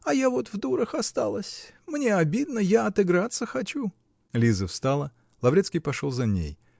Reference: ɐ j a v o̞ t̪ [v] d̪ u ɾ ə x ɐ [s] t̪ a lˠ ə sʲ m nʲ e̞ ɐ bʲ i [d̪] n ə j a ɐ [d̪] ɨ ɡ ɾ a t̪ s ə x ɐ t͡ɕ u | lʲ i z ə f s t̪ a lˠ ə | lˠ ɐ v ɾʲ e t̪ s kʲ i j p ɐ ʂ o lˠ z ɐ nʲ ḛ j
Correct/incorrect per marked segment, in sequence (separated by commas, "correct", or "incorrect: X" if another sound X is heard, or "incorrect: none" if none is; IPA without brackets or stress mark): correct, correct, correct, incorrect: t̪